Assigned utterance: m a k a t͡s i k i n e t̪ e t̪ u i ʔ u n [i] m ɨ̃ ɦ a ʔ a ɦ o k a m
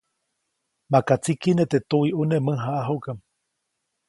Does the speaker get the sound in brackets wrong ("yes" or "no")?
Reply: yes